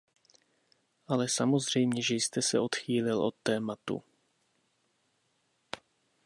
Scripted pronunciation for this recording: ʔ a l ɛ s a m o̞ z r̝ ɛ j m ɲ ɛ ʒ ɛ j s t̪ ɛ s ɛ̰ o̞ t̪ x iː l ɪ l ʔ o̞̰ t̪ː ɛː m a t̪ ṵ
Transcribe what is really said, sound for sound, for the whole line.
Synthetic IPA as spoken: ʔ a l ɛ s a m o̞ z r̝ ɛ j m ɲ ɛ ʒ ɛ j s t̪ ɛ s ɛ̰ o̞ t̪ x iː l ɪ l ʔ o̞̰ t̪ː ɛː m a t̪ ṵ